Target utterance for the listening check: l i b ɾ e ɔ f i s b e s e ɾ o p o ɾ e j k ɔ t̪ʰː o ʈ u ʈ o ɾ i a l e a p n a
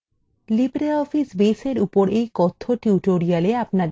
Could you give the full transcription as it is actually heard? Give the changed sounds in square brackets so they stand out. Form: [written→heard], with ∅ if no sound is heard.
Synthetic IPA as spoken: l i b ɾ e ɔ f i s b e s e ɾ [o→u] p o ɾ e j k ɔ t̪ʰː o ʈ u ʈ o ɾ i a l e a p n a